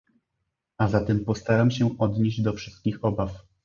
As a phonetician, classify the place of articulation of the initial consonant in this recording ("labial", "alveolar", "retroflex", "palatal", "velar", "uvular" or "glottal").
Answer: alveolar